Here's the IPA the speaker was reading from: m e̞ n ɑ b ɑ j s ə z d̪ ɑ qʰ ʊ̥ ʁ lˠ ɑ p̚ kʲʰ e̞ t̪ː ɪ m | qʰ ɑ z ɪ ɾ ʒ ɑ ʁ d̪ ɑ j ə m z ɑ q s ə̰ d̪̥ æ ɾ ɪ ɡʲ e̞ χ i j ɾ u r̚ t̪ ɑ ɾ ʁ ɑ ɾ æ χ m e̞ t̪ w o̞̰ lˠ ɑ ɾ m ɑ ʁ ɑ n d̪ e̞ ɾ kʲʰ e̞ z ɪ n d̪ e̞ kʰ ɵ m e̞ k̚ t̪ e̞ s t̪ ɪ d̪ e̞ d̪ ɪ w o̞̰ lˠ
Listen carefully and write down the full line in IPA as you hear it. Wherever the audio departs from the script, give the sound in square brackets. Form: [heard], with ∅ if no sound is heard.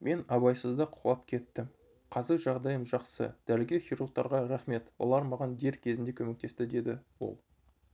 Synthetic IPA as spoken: m e̞ n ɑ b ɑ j s ə z d̪ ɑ qʰ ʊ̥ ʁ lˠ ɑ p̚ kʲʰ e̞ t̪ː ɪ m | qʰ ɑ z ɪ ɾ ʒ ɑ ʁ d̪ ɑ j ə m [ʒ] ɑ q s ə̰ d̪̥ æ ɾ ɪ ɡʲ e̞ χ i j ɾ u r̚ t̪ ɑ ɾ ʁ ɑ ɾ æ χ m e̞ t̪ w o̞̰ lˠ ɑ ɾ m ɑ ʁ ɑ n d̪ e̞ ɾ kʲʰ e̞ z ɪ n d̪ e̞ kʰ ɵ m e̞ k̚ t̪ e̞ s t̪ ɪ d̪ e̞ d̪ ɪ w o̞̰ lˠ